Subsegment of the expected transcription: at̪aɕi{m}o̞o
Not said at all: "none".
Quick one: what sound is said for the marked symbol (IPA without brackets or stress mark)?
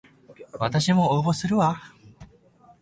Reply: m